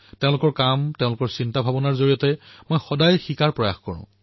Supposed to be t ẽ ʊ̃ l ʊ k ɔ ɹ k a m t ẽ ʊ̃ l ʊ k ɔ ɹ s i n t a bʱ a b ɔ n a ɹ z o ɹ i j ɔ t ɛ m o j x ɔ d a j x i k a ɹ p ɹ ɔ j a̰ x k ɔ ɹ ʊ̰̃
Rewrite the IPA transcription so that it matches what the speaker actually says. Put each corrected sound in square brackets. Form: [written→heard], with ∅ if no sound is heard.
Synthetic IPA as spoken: t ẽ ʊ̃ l ʊ k ɔ ɹ k a m t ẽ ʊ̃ l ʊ k ɔ ɹ s i n t a bʱ a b ɔ n a ɹ z o ɹ i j ɔ t ɛ m o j x ɔ d a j x i k a ɹ p ɹ ɔ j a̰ x k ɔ ɹ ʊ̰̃